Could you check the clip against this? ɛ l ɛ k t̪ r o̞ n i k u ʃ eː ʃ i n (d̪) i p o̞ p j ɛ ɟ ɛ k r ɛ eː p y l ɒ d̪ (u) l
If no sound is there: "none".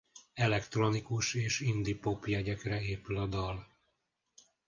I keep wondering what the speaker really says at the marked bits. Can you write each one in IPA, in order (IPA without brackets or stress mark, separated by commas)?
d̪, ɒ